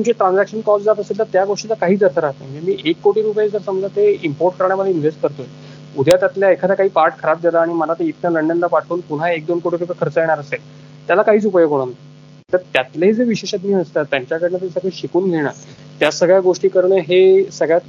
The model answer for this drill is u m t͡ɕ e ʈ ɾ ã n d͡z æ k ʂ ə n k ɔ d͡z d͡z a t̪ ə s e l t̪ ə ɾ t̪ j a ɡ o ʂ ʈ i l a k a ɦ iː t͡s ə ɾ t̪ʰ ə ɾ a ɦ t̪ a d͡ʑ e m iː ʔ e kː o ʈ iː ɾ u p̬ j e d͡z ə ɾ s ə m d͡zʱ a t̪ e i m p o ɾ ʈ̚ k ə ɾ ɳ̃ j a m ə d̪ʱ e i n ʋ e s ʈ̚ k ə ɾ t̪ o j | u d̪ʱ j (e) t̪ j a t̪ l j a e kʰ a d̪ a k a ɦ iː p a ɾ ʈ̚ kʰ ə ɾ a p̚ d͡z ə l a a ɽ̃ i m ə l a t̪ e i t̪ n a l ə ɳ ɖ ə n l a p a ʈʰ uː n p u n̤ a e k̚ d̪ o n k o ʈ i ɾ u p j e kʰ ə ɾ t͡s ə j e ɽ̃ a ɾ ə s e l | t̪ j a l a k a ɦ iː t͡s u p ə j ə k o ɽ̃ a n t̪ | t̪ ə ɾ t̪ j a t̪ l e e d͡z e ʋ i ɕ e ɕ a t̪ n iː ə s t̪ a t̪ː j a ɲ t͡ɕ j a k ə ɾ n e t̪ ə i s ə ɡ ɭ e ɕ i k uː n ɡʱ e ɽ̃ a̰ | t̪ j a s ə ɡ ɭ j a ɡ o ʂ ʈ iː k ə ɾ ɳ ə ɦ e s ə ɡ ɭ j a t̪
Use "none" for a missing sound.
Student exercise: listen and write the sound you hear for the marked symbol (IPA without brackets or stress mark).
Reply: a